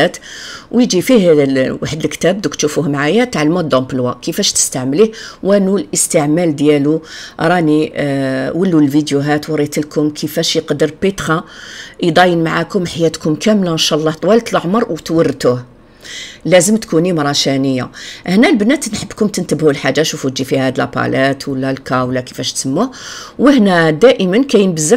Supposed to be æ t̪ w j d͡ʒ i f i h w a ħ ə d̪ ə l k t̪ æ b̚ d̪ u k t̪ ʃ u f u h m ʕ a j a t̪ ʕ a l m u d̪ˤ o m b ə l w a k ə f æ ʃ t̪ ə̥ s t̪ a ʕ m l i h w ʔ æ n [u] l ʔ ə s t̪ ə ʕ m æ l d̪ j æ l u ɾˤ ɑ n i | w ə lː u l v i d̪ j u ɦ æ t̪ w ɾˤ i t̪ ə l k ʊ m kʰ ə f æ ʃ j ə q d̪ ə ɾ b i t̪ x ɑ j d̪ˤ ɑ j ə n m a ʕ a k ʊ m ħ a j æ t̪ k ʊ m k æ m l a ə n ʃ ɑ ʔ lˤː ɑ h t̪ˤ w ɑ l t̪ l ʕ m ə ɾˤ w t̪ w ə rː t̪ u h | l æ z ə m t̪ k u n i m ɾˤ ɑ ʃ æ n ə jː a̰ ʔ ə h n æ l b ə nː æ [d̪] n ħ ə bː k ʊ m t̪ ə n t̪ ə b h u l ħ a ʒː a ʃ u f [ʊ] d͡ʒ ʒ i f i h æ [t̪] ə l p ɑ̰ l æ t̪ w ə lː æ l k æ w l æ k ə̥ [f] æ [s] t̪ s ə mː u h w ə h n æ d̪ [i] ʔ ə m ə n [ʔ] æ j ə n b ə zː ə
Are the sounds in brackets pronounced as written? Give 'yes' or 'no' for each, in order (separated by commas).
yes, no, no, no, yes, no, no, no